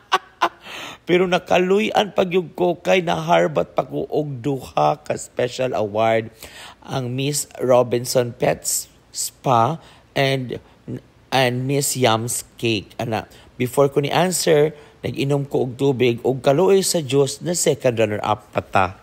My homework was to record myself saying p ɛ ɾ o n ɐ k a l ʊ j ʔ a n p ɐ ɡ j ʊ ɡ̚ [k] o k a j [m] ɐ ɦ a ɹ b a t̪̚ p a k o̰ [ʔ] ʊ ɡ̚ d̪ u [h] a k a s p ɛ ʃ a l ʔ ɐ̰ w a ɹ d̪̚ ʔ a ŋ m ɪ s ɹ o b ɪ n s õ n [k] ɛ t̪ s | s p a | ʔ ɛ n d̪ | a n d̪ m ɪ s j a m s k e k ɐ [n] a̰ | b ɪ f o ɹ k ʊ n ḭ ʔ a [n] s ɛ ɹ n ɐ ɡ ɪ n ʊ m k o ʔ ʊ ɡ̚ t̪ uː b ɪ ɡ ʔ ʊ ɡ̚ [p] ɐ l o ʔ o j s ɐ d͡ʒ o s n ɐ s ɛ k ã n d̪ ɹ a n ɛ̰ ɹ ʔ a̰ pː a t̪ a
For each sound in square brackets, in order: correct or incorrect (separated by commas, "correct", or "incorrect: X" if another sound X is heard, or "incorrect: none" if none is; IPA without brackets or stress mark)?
correct, incorrect: n, correct, correct, incorrect: p, correct, correct, incorrect: k